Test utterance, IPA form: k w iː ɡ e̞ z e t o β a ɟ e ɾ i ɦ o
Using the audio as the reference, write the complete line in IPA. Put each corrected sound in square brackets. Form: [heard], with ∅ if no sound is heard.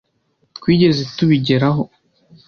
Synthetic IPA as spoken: k w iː [ɟ] e̞ z e t [u] β [i] ɟ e ɾ [a] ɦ o